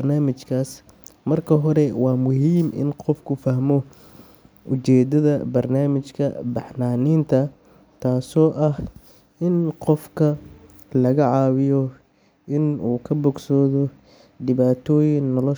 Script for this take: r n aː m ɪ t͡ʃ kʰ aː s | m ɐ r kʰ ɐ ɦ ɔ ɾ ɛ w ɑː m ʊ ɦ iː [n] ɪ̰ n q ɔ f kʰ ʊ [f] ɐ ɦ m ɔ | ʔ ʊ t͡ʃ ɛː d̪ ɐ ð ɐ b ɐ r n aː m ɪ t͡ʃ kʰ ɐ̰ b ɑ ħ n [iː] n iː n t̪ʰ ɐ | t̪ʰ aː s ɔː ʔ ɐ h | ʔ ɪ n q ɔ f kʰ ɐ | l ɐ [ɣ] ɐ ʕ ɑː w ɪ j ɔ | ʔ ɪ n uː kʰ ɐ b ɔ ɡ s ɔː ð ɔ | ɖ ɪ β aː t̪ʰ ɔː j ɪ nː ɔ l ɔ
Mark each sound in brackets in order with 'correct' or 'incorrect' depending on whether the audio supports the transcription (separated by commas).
incorrect, correct, incorrect, correct